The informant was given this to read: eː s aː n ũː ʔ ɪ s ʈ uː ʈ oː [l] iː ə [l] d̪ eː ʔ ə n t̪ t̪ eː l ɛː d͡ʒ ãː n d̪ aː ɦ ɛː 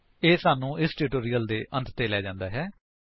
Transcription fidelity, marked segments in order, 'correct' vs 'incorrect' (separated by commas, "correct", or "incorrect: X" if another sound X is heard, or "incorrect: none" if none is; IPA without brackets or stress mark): incorrect: ɾ, correct